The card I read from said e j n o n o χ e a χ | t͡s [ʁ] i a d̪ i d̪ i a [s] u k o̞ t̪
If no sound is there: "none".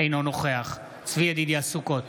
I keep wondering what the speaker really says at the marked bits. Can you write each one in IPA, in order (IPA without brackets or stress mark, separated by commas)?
v, s